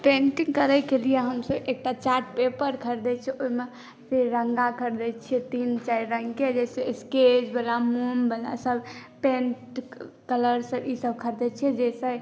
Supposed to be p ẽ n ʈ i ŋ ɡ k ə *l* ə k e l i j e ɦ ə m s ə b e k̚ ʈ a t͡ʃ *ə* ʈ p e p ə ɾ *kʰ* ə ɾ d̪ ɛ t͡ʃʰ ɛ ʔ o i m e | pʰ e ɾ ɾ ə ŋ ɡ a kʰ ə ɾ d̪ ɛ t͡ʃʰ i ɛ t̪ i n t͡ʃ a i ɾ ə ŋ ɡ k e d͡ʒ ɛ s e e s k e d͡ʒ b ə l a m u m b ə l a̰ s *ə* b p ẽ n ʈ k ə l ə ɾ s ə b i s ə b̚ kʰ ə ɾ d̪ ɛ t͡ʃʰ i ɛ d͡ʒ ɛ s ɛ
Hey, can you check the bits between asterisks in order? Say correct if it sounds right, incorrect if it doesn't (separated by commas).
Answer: incorrect, incorrect, correct, correct